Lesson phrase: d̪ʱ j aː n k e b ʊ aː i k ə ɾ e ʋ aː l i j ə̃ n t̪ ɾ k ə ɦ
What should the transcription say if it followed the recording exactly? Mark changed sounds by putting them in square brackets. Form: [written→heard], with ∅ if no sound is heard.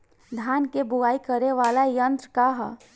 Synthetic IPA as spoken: d̪ʱ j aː n k e b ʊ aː i k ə ɾ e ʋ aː l [i→a] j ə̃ n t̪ ɾ k [ə→a] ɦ